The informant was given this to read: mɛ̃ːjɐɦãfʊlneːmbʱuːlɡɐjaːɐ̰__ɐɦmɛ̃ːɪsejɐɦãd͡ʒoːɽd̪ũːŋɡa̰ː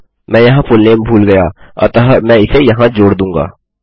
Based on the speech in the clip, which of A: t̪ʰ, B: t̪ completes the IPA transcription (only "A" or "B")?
B